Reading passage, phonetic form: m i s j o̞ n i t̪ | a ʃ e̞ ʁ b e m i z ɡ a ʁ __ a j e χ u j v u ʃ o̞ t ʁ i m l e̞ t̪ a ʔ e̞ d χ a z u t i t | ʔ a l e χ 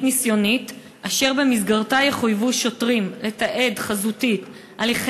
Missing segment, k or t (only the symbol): t